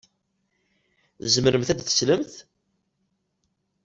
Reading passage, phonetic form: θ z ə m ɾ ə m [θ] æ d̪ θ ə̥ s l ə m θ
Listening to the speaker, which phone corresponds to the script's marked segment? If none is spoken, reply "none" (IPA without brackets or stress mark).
θ